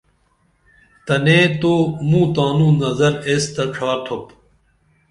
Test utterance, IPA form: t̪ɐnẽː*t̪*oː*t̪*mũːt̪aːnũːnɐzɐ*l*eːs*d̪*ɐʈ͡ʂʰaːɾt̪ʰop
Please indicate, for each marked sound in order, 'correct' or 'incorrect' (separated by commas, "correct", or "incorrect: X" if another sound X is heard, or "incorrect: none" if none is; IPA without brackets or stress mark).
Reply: correct, incorrect: none, incorrect: ɾ, incorrect: t̪